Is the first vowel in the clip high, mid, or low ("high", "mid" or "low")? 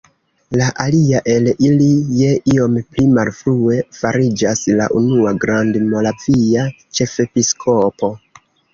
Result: low